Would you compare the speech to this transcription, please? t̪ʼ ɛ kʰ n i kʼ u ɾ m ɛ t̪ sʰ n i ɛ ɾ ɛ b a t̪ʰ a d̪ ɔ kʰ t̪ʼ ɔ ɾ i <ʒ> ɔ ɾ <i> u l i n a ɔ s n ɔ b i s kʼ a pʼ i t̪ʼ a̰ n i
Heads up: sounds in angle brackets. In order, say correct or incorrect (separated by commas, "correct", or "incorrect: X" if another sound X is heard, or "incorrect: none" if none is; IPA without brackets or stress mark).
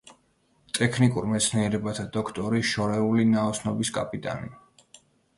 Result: incorrect: ʃ, incorrect: ɛ